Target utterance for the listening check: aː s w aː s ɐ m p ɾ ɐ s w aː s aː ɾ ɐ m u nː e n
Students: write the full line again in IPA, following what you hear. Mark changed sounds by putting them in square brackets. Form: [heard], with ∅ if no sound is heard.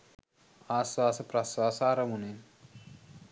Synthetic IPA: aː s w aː s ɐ [∅] p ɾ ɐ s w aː s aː ɾ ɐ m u [n] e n